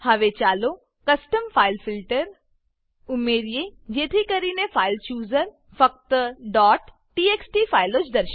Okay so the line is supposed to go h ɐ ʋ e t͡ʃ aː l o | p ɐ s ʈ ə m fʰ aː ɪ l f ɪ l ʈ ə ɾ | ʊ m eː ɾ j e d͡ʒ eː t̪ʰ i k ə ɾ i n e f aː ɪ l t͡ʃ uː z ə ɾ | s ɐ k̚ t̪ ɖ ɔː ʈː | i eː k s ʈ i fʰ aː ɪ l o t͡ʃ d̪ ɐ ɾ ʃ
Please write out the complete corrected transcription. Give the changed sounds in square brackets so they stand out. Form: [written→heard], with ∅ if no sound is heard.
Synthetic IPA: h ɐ ʋ e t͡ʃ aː l o | [p→k] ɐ s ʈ ə m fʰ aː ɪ l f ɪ l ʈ ə ɾ | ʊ m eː ɾ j e d͡ʒ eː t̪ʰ i k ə ɾ i n e f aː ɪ l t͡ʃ uː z ə ɾ | [s→f] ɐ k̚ t̪ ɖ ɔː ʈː | i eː k s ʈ i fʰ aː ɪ l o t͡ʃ d̪ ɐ ɾ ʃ